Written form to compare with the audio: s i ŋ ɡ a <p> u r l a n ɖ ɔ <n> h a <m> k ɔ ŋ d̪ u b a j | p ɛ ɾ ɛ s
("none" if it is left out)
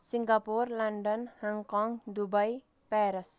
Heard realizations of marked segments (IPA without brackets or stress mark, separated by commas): p, n, ŋ